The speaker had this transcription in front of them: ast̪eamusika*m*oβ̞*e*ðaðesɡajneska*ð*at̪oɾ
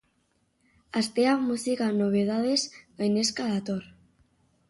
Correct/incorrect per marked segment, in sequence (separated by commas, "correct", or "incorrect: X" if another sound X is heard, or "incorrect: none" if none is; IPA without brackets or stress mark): incorrect: n, correct, correct